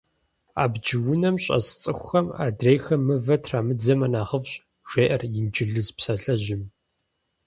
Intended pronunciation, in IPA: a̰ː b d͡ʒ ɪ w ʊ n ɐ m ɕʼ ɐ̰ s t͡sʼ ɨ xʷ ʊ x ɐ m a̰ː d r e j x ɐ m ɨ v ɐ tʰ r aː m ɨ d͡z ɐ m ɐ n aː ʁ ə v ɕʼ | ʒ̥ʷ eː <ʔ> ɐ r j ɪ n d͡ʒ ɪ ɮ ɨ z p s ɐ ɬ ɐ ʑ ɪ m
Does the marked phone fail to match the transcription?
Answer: no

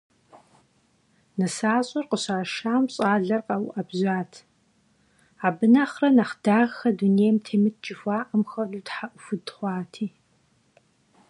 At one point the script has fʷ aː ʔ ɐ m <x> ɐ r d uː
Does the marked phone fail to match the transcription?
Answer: no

